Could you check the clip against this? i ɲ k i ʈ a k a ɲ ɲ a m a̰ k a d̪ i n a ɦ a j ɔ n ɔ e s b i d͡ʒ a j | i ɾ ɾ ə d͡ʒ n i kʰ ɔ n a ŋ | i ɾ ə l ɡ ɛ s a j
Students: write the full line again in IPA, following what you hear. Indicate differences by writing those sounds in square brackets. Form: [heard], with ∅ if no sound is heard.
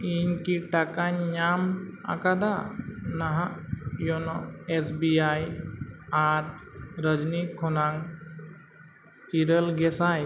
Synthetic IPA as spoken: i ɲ k i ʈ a k a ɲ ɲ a m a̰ k a d̪ [a] n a ɦ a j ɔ n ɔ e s b i [∅] a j | [a] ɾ ɾ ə d͡ʒ n i kʰ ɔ n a ŋ | i ɾ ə l ɡ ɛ s a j